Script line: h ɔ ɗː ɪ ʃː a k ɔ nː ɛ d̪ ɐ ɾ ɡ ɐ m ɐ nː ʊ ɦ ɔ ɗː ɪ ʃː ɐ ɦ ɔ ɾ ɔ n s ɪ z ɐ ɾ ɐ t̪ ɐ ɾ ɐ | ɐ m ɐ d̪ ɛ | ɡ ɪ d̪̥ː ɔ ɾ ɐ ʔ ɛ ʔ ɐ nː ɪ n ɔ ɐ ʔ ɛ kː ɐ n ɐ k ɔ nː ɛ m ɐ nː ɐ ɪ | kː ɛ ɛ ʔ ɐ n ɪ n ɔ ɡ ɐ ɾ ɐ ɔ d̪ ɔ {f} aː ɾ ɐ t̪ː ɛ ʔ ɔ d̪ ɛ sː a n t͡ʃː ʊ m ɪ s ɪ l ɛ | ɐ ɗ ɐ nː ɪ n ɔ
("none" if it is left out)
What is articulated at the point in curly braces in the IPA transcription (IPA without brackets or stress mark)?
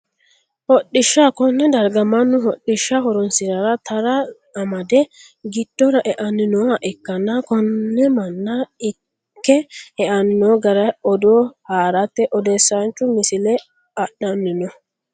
h